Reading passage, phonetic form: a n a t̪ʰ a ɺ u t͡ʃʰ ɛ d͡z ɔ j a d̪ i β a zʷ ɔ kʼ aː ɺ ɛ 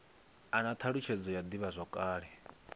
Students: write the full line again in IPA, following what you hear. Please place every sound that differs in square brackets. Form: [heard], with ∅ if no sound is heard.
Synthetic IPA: a n a t̪ʰ a ɺ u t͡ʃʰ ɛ d͡z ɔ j a d̪ i β a zʷ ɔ kʼ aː ɺ ɛ